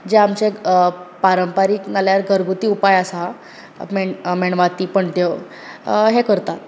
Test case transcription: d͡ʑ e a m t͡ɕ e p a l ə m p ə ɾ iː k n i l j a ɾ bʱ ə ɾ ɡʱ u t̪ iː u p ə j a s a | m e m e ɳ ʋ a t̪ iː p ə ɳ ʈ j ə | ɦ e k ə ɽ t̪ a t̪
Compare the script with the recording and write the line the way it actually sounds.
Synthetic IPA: d͡ʑ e a m t͡ɕ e p a ɾ ə m p a ɾ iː k n a l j a ɾ ɡʱ ə ɾ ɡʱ u t̪ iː u p a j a s a | m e m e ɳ ʋ a t̪ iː p ə ɳ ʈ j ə | ɦ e k ə ɾ t̪ a t̪